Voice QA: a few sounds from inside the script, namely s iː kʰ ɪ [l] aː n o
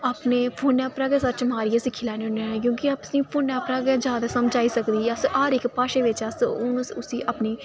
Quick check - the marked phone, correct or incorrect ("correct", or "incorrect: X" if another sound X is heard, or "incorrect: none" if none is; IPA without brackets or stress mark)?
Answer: correct